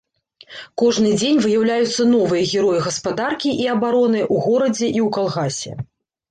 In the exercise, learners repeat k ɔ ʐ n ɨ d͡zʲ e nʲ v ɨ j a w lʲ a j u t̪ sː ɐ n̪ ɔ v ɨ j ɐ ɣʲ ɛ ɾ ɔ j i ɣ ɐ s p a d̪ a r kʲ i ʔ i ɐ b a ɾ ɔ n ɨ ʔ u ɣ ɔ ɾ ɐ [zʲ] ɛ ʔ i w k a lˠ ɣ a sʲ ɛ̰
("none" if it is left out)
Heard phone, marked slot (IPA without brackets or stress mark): d͡zʲ